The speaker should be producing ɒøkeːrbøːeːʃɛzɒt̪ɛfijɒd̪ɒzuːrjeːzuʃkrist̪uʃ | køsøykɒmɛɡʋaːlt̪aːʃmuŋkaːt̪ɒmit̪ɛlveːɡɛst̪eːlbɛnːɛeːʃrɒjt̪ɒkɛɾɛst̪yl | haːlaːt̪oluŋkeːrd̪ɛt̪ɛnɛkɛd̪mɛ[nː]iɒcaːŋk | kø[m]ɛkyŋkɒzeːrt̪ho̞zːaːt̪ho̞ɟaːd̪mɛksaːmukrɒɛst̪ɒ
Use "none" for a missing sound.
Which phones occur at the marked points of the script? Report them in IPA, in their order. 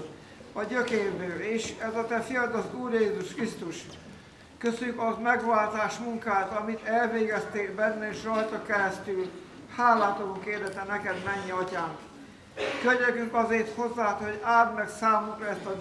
ɲː, ɲ

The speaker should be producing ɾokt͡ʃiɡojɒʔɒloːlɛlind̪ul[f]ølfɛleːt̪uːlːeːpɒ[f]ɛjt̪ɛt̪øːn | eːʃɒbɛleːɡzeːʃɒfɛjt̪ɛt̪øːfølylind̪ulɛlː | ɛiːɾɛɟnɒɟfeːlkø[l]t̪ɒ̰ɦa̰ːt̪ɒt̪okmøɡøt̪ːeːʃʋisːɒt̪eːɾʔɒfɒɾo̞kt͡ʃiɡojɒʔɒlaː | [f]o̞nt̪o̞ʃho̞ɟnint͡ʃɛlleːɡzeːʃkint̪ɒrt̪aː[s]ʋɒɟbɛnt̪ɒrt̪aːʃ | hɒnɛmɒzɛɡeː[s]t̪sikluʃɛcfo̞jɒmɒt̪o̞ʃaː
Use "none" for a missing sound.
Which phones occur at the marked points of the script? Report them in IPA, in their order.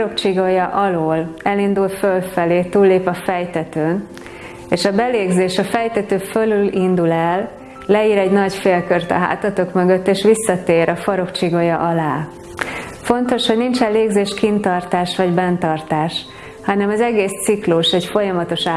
f, f, r, f, ʃ, s

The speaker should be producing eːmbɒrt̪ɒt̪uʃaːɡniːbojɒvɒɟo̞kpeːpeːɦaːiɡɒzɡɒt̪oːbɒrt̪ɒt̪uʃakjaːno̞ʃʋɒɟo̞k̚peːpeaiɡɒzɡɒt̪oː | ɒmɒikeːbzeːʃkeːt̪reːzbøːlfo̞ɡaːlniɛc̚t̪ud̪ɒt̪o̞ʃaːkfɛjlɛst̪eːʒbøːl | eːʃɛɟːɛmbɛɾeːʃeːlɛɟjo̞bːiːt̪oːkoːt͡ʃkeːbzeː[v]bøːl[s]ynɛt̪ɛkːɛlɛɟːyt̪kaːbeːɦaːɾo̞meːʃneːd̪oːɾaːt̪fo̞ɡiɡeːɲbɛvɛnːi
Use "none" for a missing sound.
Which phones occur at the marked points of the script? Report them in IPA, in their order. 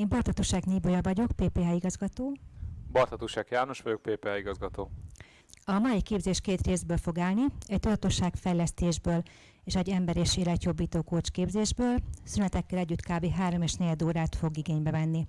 ʒ, s

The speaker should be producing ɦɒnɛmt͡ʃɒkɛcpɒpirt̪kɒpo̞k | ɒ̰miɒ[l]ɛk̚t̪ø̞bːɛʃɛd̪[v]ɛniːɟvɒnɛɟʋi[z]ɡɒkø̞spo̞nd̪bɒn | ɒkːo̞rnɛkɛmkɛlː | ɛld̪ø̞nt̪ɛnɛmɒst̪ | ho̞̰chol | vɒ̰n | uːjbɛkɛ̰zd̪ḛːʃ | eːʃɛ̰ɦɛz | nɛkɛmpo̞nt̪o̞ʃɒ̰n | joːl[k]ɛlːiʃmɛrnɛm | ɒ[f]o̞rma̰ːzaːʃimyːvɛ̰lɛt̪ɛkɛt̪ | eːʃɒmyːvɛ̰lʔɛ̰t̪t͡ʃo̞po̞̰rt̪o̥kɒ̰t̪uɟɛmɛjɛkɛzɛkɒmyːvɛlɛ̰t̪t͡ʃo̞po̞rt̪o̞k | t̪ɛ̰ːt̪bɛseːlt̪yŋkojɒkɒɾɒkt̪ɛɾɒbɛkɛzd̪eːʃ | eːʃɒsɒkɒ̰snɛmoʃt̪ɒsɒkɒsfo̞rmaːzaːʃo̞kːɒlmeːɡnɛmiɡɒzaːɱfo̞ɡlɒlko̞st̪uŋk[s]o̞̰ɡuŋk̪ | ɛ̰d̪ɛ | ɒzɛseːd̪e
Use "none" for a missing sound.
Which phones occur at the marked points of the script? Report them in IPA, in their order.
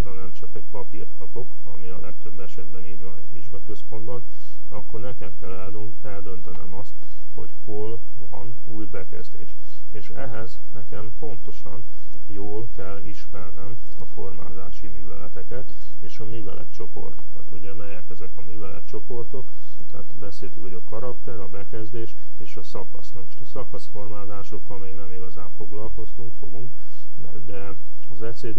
l, b, ʒ, k, f, f

